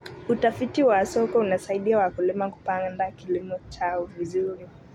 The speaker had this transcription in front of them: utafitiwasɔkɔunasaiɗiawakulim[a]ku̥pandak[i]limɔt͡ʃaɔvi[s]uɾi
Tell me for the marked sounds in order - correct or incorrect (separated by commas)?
correct, correct, incorrect